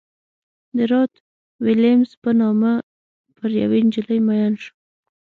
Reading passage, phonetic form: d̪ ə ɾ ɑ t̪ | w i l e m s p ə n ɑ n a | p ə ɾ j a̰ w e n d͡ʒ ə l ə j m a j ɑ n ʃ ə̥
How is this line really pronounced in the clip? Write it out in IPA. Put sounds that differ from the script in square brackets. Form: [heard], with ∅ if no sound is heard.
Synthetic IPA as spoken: d̪ ə ɾ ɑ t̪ | w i l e m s p ə n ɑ [m] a | p ə ɾ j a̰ w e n d͡ʒ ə l ə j m a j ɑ n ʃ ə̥